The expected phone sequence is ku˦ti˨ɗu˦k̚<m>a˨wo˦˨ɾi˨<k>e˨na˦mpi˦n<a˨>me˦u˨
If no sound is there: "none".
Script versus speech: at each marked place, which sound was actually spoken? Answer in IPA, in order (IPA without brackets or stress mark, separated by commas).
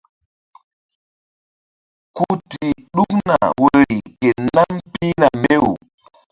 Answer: n, k, a˨